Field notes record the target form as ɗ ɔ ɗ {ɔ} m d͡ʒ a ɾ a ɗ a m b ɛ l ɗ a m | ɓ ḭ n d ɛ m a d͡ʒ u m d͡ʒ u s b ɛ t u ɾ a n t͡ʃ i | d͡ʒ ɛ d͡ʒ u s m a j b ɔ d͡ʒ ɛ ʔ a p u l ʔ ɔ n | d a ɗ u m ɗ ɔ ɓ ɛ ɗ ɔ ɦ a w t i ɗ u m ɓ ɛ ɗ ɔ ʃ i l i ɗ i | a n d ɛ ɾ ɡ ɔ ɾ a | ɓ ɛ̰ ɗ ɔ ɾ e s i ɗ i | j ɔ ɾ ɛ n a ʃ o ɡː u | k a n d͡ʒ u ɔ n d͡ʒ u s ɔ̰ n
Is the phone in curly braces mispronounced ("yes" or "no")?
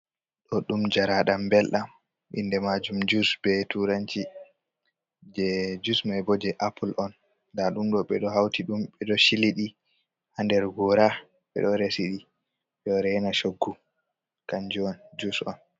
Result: yes